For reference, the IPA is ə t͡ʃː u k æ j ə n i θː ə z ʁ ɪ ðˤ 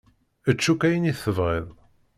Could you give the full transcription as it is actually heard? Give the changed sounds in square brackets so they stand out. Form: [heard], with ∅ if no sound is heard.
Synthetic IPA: ə t͡ʃː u k æ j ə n i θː ə [v] ʁ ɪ ðˤ